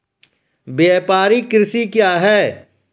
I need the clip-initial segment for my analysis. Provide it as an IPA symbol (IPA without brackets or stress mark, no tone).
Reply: b